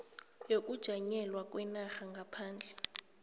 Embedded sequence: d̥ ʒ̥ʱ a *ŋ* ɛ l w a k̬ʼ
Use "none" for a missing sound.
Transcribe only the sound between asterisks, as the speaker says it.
ɲ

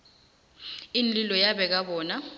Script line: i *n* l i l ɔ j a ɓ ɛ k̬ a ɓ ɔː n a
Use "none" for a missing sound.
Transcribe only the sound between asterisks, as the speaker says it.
n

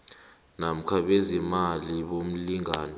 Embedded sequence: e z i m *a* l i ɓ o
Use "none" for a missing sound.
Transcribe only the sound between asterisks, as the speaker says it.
a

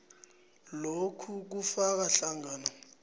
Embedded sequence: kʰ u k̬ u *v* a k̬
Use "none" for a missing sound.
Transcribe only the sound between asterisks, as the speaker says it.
f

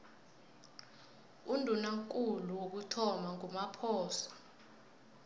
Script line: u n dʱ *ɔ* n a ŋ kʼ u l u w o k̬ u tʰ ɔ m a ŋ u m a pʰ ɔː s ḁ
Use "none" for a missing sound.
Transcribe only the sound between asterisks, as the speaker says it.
u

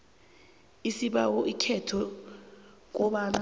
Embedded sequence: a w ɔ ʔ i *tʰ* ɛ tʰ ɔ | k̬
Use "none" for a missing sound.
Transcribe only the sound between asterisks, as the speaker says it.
kʰ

